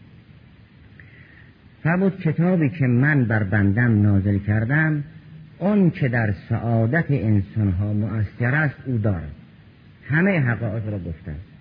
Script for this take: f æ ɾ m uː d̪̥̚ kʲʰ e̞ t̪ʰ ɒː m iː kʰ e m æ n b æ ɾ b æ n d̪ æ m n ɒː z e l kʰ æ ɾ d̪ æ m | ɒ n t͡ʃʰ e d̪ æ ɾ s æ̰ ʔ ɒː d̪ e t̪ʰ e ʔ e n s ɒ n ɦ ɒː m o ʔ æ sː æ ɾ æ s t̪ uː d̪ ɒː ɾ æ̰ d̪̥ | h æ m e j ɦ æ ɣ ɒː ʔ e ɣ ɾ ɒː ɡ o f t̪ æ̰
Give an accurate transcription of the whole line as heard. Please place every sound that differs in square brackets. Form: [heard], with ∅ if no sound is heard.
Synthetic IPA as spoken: f æ ɾ m uː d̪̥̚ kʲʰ e̞ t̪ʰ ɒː [b] iː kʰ e m æ n b æ ɾ b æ n d̪ æ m n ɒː z e l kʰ æ ɾ d̪ æ m | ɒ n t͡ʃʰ e d̪ æ ɾ s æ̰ ʔ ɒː d̪ [æ] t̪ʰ e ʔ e n s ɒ n ɦ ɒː m o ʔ æ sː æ ɾ æ s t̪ uː d̪ ɒː ɾ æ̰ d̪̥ | h æ m e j ɦ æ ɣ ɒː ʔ e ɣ ɾ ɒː ɡ o f t̪ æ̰